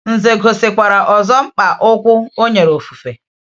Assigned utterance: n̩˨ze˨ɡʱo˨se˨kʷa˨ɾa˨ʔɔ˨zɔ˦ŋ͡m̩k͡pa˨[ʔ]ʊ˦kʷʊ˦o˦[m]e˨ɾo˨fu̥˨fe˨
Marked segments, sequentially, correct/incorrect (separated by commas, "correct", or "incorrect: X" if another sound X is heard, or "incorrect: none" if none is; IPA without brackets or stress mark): correct, incorrect: ɲ